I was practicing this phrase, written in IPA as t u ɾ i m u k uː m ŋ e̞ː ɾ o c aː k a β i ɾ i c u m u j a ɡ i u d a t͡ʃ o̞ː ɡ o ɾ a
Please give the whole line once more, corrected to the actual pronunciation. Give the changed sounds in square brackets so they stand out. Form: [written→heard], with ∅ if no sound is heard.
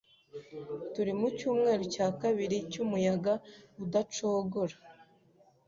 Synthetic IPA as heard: t u ɾ i m u [k→c] uː m ŋ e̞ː ɾ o c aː k a β i ɾ i c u m u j a ɡ [i→a] u d a t͡ʃ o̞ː ɡ o ɾ a